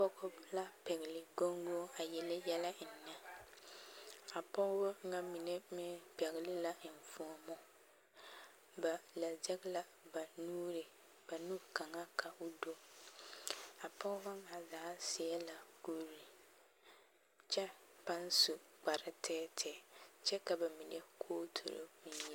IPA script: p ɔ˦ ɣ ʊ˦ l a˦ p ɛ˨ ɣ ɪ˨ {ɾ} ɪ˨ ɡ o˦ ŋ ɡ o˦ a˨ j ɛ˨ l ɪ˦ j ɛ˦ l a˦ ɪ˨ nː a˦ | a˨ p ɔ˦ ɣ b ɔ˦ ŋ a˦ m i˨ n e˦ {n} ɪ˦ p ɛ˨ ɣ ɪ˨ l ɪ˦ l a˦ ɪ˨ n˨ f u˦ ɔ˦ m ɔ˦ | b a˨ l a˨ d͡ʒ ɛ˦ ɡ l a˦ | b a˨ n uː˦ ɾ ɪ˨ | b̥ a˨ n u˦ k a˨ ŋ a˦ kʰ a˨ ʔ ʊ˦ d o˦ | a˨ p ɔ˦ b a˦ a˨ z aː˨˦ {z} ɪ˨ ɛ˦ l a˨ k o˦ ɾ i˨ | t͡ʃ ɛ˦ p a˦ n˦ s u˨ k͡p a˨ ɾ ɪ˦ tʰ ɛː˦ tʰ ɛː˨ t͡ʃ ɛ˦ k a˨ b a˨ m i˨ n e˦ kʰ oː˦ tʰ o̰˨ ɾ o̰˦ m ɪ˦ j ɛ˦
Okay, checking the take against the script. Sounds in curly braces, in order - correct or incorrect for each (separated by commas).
incorrect, incorrect, incorrect